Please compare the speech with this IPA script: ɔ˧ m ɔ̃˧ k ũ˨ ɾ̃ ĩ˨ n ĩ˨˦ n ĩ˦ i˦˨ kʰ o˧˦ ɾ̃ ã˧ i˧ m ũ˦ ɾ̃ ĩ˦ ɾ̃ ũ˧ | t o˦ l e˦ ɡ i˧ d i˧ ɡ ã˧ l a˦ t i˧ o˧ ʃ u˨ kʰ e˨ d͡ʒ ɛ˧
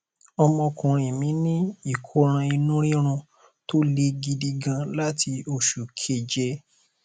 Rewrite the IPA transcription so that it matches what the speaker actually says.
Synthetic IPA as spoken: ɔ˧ m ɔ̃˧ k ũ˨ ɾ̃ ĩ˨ m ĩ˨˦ n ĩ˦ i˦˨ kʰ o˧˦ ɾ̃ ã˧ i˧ n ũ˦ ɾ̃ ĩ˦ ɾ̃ ũ˧ | t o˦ l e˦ ɡ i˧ d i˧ ɡ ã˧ l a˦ t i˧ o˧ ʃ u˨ kʰ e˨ d͡ʒ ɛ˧